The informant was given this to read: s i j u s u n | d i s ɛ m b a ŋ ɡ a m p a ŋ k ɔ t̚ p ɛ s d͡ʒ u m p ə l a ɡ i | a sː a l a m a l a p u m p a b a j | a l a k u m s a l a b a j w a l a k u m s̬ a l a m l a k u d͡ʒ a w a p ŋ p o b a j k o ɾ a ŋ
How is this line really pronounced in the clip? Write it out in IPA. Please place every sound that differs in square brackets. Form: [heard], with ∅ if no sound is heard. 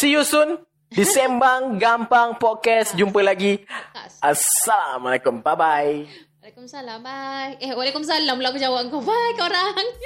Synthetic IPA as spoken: s i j u s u n | d i s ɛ m b a ŋ ɡ a m p a ŋ [p] ɔ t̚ [k] ɛ s d͡ʒ u m p ə l a ɡ i | a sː a l a m a l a [k] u m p a b a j | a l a k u m s a l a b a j w a l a k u m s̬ a l a m l a k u d͡ʒ a w a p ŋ [k] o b a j k o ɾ a ŋ